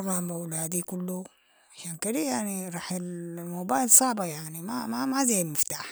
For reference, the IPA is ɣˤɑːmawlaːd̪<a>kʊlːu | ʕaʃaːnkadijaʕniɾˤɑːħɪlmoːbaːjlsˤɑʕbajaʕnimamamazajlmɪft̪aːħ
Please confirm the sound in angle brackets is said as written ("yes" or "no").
no